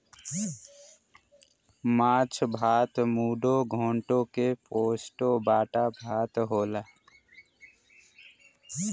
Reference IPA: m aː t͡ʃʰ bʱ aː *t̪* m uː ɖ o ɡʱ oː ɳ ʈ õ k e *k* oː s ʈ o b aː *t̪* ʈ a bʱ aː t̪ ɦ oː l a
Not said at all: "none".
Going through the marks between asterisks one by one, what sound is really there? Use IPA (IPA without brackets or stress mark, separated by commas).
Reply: t̪, p, none